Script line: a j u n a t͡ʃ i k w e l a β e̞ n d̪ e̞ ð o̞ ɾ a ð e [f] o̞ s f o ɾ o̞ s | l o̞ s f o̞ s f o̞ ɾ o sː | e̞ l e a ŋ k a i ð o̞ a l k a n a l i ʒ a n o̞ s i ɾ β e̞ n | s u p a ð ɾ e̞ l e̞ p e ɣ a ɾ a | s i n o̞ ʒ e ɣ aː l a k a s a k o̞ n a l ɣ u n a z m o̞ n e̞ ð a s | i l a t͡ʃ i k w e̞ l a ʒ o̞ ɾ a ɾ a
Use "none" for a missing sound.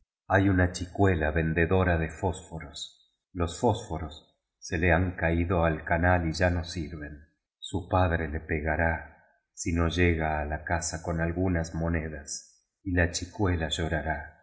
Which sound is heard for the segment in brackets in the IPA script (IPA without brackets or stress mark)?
f